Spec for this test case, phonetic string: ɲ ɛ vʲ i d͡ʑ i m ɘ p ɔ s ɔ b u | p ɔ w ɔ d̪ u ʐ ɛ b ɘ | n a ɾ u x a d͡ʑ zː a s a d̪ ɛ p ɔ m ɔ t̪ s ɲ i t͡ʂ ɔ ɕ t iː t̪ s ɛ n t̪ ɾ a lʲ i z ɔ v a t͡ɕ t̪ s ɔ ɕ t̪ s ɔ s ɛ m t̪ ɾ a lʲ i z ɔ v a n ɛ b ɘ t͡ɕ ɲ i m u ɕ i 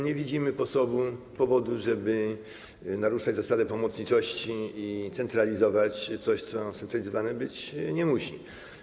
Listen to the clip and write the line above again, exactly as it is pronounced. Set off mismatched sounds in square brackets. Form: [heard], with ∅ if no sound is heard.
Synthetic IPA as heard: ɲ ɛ vʲ i d͡ʑ i m ɘ p ɔ s ɔ b u | p ɔ [v] ɔ d̪ u ʐ ɛ b ɘ | n a ɾ u [ʂ] a d͡ʑ [z] a s a d̪ ɛ p ɔ m ɔ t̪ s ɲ i t͡ʂ ɔ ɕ [t͡ɕ] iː t̪ s ɛ n t̪ ɾ a lʲ i z ɔ v a t͡ɕ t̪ s ɔ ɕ t̪ s ɔ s ɛ [n] t̪ ɾ a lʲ i z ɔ v a n ɛ b ɘ t͡ɕ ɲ [ɛ] m u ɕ i